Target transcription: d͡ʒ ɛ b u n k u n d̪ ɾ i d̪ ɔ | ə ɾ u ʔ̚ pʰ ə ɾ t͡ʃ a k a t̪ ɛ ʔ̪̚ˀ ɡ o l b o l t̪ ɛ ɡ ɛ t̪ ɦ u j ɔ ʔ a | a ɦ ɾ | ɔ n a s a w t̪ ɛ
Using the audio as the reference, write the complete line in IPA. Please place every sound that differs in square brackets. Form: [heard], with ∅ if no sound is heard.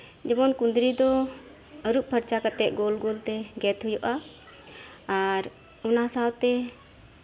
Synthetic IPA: d͡ʒ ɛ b [ɔ] n k u n d̪ ɾ i d̪ ɔ | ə ɾ u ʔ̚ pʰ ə ɾ t͡ʃ a k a t̪ ɛ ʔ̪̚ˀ ɡ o l [ɡ] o l t̪ ɛ ɡ ɛ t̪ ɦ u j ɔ ʔ a | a [∅] ɾ | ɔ n a s a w t̪ ɛ

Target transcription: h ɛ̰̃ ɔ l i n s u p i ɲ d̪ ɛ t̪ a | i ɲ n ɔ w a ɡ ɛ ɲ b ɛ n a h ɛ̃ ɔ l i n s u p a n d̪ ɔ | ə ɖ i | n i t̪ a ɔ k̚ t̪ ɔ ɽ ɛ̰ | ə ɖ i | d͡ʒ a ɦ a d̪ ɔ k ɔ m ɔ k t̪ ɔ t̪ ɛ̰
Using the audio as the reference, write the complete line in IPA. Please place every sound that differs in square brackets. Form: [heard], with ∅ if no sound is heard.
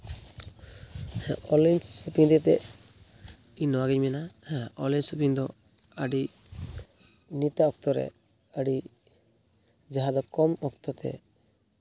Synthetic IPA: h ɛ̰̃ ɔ l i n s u p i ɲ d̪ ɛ t̪ [ɛ] | i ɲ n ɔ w a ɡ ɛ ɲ [m] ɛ n a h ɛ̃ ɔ l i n s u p [i] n d̪ ɔ | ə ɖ i | n i t̪ a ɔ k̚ t̪ ɔ [ɾ] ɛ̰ | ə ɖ i | d͡ʒ a ɦ a d̪ ɔ k ɔ m ɔ k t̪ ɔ t̪ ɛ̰

